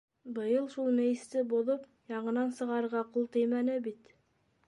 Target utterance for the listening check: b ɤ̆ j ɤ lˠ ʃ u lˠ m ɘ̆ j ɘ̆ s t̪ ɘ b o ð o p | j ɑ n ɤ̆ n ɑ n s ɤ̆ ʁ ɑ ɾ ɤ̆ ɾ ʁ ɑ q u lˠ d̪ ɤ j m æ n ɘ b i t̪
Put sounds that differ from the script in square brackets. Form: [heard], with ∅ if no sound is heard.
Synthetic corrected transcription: b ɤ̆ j ɤ lˠ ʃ u lˠ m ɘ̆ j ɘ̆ s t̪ ɘ b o ð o p | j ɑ [ɴ] ɤ̆ n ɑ n s ɤ̆ ʁ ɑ ɾ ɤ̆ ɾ ʁ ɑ q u lˠ [t̪] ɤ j m æ n ɘ b i t̪

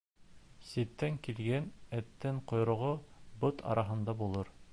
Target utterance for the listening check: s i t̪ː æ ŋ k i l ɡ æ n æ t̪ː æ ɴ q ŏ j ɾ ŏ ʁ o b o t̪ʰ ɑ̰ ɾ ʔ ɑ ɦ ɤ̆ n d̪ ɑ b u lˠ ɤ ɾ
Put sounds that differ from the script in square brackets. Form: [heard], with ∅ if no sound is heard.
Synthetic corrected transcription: s i t̪ː æ ŋ k i l ɡ æ n æ t̪ː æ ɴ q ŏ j ɾ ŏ ʁ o b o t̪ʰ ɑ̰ ɾ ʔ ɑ ɦ ɤ̆ n d̪ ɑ b u lˠ ɤ ɾ

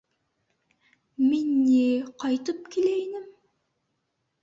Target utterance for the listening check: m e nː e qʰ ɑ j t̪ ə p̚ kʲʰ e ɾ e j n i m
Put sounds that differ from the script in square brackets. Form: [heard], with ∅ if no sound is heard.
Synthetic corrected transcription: m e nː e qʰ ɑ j t̪ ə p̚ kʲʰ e [l] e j n [ɪ] m

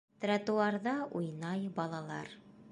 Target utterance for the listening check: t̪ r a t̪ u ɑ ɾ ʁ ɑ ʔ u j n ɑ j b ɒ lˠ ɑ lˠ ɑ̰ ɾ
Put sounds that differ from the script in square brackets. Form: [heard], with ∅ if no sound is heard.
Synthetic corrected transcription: t̪ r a t̪ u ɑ ɾ [ð] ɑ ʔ u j n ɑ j b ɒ lˠ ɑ lˠ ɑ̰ ɾ

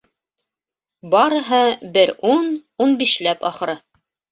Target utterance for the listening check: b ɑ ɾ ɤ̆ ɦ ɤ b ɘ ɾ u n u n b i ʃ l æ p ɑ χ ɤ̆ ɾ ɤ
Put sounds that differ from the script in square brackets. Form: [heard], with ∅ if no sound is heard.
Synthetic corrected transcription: b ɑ ɾ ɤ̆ ɦ ɤ b ɘ ɾ u n u n b i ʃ l æ p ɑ χ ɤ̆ ɾ ɤ

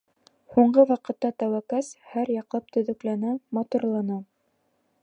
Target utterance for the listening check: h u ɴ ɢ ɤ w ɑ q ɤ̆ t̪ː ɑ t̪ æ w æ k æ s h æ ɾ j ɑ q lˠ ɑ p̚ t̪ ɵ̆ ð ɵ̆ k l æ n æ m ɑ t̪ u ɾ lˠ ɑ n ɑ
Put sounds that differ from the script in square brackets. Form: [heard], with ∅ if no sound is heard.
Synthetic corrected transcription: h u ɴ ɢ ɤ w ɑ q ɤ̆ t̪ː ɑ t̪ æ w æ k æ s h æ ɾ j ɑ q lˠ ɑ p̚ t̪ ɵ̆ ð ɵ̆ k l æ n æ m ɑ t̪ u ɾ lˠ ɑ n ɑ

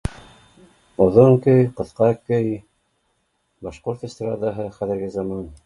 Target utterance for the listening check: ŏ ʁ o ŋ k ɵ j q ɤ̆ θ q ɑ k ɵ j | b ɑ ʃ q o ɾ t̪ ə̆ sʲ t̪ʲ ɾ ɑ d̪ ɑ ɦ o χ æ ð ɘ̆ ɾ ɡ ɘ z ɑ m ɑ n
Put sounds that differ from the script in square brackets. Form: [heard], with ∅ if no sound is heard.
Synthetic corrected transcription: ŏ [ð] o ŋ k ɵ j q ɤ̆ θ q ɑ k ɵ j | b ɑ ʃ q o ɾ t̪ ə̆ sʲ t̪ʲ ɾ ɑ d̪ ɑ ɦ [ɤ] χ æ ð ɘ̆ ɾ ɡ ɘ z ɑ m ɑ n

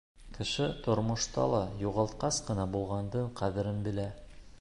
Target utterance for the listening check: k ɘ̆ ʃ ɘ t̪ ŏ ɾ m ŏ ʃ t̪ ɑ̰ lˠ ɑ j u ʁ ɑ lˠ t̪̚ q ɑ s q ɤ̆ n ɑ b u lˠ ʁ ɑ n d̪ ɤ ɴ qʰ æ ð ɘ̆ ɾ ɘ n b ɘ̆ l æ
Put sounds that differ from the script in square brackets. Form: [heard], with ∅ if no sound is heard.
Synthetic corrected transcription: k ɘ̆ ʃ ɘ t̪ ŏ ɾ m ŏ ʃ t̪ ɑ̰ lˠ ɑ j u ʁ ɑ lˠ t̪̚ q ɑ s q ɤ̆ n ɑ b u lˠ ʁ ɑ n d̪ ɤ ɴ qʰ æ ð ɘ̆ ɾ ɘ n b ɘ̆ l æ

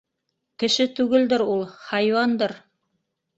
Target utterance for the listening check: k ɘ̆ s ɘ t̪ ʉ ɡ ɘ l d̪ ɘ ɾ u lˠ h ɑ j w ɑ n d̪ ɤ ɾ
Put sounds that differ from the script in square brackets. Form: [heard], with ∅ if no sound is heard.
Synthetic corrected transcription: k ɘ̆ [ʃ] ɘ t̪ ʉ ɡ ɘ l d̪ ɘ ɾ u lˠ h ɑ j w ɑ n d̪ ɤ ɾ

